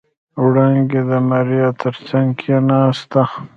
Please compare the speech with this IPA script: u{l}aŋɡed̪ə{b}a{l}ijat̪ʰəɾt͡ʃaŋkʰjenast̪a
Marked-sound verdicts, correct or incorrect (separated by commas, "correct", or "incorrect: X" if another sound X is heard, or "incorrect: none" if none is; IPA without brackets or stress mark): incorrect: ɽ, incorrect: m, incorrect: ɾ